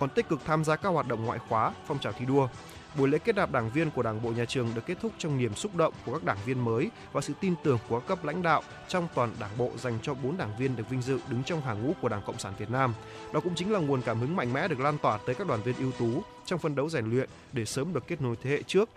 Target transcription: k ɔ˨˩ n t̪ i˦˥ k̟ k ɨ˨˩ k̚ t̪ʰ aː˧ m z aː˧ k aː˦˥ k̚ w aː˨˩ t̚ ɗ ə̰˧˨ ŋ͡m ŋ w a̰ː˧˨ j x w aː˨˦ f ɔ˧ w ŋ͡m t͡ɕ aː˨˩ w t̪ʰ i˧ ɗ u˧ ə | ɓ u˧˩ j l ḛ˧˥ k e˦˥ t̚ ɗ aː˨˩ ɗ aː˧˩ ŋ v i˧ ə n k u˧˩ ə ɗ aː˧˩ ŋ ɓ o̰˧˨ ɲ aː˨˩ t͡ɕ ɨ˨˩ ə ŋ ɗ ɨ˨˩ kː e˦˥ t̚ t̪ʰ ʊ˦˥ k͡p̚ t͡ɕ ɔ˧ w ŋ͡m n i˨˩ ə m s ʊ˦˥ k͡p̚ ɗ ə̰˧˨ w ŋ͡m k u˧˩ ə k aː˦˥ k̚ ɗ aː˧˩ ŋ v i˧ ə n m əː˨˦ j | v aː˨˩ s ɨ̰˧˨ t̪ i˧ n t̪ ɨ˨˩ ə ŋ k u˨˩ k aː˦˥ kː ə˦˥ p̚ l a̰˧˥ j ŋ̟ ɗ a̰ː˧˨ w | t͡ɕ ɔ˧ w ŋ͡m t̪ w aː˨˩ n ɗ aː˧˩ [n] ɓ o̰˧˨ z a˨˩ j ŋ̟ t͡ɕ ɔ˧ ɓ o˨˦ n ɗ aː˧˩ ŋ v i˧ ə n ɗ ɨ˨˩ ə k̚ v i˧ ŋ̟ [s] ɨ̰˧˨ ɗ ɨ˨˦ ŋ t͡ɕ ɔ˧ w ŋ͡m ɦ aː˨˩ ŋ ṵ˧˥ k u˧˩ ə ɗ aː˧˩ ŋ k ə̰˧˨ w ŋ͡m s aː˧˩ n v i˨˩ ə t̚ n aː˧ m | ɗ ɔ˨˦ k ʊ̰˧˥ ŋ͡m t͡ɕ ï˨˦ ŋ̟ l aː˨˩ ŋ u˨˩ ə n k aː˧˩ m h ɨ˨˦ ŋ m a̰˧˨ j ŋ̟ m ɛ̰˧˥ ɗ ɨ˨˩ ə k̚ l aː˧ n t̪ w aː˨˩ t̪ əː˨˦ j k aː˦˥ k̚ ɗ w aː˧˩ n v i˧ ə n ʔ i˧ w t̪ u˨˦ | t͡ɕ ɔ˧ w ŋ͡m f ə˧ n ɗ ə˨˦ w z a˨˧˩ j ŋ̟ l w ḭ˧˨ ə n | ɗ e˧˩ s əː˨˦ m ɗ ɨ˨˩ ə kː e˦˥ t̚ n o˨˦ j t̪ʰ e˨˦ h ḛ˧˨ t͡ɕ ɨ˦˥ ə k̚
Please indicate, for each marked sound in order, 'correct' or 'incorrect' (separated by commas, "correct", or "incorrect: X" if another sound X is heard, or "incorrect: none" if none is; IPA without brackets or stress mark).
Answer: incorrect: ŋ, incorrect: z